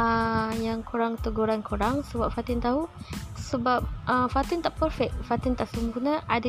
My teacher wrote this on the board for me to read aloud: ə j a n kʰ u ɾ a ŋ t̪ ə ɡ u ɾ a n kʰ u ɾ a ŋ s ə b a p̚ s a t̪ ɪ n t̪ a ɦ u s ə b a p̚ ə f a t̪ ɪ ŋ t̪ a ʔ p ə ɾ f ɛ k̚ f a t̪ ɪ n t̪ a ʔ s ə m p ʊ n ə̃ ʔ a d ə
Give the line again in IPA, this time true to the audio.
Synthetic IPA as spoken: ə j a ŋ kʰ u ɾ a ŋ t̪ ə ɡ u ɾ a n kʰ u ɾ a ŋ s ə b a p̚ f a t̪ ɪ n t̪ a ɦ u s ə b a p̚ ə f a t̪ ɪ n t̪ a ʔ p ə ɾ f ɛ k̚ f a t̪ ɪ n t̪ a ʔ s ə m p u n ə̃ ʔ a d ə